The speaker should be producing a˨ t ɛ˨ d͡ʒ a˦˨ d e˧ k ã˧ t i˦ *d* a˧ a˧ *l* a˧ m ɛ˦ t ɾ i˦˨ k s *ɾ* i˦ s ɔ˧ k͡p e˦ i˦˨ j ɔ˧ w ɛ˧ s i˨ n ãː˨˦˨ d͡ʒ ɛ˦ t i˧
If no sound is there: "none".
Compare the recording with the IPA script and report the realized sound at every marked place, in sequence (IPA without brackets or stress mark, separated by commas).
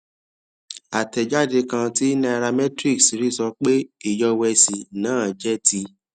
n, ɾ, ɾ